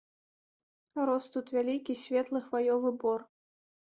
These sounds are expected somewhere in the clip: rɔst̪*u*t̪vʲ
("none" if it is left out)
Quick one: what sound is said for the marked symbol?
u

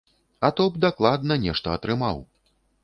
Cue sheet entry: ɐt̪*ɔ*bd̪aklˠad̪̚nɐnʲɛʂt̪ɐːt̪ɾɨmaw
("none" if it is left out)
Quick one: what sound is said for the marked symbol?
ɔ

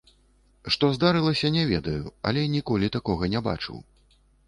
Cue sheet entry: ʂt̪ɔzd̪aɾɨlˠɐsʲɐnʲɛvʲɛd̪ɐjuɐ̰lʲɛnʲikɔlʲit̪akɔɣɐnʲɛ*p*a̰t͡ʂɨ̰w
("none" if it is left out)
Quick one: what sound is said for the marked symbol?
b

